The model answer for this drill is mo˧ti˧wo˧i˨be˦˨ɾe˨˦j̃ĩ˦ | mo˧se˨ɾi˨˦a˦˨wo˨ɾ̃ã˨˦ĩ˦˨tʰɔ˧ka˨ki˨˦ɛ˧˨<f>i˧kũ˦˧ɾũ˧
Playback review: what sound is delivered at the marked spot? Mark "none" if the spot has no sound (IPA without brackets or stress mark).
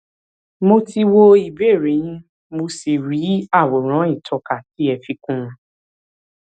f